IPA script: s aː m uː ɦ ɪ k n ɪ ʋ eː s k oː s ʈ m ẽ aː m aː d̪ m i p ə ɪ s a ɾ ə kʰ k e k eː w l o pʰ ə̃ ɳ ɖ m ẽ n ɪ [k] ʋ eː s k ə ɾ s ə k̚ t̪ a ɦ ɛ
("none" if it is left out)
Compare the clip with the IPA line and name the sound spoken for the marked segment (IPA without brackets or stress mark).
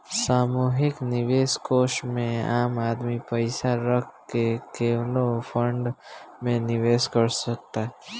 none